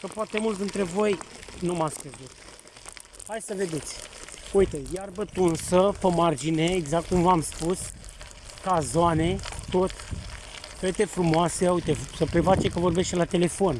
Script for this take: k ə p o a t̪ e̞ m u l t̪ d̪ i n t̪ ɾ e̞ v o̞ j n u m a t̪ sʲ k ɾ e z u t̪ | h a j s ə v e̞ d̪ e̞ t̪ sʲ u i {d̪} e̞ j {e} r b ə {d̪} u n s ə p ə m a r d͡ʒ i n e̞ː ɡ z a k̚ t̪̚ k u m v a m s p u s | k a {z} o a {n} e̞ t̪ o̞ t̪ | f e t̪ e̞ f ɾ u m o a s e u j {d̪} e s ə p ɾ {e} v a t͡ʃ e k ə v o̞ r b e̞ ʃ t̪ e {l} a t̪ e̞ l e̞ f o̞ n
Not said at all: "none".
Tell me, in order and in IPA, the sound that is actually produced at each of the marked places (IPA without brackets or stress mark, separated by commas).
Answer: t̪, a, t̪, z, n, t̪, e, l